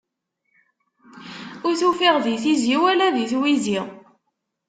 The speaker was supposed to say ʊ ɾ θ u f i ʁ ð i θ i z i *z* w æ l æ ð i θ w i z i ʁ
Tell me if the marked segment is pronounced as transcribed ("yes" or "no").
no